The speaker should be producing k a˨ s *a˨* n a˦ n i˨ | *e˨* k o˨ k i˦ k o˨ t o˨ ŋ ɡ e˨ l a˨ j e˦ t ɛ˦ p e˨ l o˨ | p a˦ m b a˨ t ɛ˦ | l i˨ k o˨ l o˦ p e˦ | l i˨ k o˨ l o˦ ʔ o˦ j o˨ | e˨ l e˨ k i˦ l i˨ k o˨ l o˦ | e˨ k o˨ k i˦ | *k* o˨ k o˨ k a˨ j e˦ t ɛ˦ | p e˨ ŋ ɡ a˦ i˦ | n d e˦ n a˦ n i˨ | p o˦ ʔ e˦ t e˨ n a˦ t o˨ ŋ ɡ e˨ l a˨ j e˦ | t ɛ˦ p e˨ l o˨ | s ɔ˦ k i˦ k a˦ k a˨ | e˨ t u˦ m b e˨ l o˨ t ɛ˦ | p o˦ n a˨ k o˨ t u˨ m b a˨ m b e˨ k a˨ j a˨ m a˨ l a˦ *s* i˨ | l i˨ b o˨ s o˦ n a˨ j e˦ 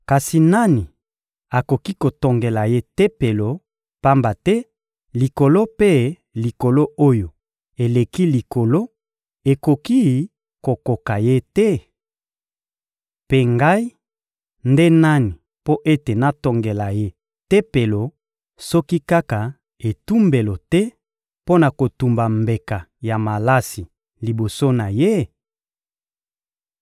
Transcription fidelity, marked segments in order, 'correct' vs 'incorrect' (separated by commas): incorrect, incorrect, correct, correct